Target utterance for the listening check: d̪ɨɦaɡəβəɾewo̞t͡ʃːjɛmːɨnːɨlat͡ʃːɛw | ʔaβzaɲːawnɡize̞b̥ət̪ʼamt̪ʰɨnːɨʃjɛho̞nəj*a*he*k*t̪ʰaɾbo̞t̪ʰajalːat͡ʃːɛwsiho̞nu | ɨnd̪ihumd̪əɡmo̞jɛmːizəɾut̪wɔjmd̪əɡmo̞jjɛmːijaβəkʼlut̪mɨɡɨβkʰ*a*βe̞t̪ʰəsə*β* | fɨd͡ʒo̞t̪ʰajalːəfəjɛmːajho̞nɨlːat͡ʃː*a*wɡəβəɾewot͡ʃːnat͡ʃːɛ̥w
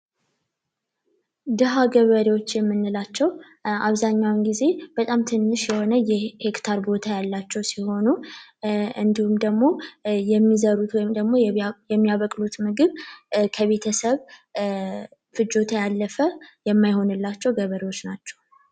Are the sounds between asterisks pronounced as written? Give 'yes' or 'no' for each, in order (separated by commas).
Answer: no, yes, no, yes, no